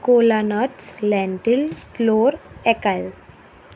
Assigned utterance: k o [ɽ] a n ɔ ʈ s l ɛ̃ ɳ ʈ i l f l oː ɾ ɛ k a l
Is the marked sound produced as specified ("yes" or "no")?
no